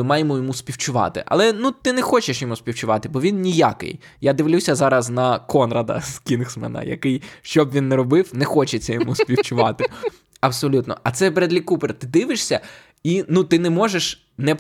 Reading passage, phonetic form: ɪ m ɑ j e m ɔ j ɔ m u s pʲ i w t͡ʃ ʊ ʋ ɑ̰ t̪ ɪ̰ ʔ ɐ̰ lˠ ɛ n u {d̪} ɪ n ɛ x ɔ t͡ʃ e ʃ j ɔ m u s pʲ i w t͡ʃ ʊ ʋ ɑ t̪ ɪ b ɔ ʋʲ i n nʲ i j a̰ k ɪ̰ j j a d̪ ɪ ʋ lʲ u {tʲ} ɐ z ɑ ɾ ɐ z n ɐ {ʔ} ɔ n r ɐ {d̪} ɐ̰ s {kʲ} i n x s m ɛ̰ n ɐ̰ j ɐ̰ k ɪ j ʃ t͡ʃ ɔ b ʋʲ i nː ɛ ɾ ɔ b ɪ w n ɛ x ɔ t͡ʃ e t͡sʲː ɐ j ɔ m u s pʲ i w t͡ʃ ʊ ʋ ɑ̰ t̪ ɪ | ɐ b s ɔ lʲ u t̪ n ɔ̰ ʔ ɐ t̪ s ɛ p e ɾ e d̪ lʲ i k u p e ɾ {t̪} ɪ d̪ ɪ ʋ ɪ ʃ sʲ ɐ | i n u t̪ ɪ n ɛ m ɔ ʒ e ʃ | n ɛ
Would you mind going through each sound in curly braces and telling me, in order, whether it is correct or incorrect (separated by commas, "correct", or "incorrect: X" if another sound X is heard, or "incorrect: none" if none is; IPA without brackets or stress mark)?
incorrect: t̪, incorrect: sʲ, incorrect: k, correct, correct, correct